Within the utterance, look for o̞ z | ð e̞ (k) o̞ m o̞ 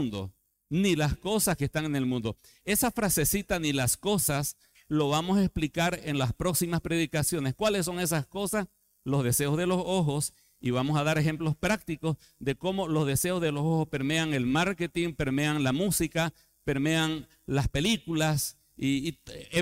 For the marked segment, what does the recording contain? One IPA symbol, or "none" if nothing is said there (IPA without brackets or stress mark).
k